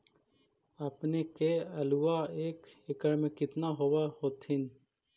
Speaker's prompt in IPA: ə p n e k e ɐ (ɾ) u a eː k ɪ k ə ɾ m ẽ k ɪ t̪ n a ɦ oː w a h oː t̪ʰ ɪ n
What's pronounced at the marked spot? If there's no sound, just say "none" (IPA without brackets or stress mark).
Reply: l